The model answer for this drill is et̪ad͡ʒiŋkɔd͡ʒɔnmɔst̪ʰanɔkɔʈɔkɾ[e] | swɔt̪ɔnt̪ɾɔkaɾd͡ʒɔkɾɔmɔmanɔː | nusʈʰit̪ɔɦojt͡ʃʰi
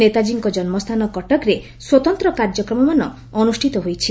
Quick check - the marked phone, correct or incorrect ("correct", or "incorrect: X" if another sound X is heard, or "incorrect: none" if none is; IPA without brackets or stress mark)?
correct